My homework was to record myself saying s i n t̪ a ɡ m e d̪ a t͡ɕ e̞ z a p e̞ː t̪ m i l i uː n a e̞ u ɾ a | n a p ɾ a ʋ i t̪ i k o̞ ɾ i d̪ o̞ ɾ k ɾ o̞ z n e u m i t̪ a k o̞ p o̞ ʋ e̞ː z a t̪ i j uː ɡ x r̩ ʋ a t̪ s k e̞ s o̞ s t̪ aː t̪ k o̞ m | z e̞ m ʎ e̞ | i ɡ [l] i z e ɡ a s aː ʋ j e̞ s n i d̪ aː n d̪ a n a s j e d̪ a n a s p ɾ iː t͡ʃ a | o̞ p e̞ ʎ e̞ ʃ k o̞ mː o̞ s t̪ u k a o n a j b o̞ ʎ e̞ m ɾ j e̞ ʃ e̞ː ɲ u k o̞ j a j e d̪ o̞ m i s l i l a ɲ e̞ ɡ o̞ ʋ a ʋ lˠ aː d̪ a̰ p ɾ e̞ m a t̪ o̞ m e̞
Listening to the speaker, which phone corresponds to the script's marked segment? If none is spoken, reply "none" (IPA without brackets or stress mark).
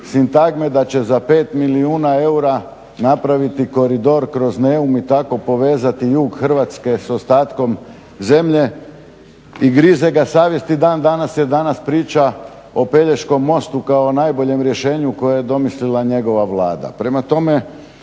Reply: ɾ